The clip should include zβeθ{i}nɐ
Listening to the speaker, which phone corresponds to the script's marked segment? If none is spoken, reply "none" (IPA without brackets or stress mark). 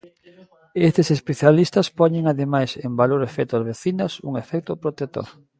i